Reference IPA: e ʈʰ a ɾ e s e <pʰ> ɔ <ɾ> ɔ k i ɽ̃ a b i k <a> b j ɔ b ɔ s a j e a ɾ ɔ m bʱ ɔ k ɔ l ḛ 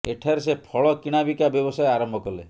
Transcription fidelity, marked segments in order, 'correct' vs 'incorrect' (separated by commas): correct, incorrect, correct